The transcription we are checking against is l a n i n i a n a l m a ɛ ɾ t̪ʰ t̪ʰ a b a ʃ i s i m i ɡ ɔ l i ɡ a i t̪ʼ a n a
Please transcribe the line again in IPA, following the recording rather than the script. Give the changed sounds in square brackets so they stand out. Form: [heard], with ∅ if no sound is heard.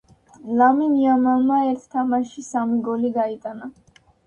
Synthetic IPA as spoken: l a [m] i n i a [m] a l m a ɛ ɾ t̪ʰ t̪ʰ a [m] a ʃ i s [a] m i ɡ ɔ l i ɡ a i t̪ʼ a n a

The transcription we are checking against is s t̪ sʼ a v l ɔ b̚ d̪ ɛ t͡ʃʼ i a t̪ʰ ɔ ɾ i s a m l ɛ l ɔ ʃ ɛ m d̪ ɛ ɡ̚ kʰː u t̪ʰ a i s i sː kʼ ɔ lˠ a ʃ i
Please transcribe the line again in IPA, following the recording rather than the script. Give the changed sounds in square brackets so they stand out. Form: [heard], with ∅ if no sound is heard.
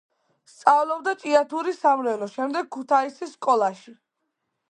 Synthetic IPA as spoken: s t̪ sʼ a v l ɔ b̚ d̪ [a] t͡ʃʼ i a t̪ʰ [u] ɾ i s a m l ɛ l ɔ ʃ ɛ m d̪ ɛ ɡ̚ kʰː u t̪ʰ a i s i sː kʼ ɔ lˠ a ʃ i

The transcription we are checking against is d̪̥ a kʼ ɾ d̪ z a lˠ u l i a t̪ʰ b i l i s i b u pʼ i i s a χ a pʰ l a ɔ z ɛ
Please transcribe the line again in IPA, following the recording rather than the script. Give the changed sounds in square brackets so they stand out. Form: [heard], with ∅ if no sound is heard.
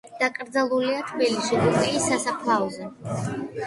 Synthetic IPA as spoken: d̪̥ a kʼ ɾ d̪ z a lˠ u l i a t̪ʰ b i l i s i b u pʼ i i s a [s] a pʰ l a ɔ z ɛ

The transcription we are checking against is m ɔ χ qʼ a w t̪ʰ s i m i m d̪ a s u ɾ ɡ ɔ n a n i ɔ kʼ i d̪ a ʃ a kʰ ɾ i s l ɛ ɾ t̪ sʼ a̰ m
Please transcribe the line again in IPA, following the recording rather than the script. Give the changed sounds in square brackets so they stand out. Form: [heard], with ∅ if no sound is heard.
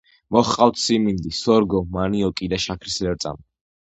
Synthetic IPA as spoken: m ɔ χ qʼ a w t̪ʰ s i m i [n] d̪ [i] s [ɔ] ɾ ɡ ɔ [m] a n i ɔ kʼ i d̪ a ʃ a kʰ ɾ i s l ɛ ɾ t̪ sʼ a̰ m

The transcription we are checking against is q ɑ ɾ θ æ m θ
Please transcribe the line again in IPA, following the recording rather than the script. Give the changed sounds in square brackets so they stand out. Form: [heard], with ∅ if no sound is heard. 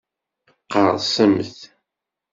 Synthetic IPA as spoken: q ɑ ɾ [s] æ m θ

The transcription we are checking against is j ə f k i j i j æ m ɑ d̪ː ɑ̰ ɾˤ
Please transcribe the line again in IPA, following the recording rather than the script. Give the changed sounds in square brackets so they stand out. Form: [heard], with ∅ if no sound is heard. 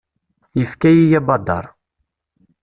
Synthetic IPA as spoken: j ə f k [æ] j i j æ [b] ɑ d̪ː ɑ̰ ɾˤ

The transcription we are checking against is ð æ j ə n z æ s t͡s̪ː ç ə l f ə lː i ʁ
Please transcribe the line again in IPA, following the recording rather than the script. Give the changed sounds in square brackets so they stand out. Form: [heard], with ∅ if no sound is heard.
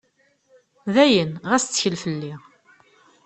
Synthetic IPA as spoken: ð æ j ə n [ʁ] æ s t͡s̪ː ç ə l f ə lː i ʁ

